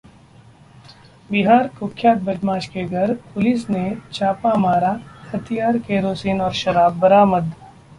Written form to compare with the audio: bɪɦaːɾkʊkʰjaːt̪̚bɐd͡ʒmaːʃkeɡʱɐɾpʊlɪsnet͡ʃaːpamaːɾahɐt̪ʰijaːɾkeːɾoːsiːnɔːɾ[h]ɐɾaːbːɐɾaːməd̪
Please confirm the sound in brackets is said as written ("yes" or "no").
no